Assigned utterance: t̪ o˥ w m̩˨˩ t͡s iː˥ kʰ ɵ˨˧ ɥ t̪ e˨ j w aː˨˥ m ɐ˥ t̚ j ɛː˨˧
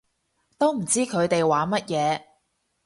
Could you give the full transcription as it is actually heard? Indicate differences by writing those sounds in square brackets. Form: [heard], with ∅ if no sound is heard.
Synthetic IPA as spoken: t̪ o˥ w m̩˨˩ t͡s iː˥ kʰ ɵ˨˧ ɥ t̪ e˨ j w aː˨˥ m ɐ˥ t̚ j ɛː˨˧